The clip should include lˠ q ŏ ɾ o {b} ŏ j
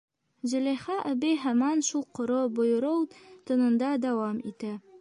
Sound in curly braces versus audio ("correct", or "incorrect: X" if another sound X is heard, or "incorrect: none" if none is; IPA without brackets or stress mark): correct